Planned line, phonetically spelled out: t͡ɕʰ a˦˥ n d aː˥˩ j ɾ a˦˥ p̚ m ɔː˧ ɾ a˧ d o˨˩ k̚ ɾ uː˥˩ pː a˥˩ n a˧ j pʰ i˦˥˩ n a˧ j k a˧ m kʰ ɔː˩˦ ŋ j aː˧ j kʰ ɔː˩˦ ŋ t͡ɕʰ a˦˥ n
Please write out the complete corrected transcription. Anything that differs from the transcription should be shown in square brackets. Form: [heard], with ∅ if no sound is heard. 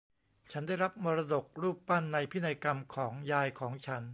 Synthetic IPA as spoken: t͡ɕʰ a˦˥ n d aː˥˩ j ɾ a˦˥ p̚ m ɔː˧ ɾ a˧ d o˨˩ k̚ ɾ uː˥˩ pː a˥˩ [nː] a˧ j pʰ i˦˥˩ n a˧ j k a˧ m kʰ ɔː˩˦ ŋ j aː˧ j kʰ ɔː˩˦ ŋ t͡ɕʰ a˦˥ n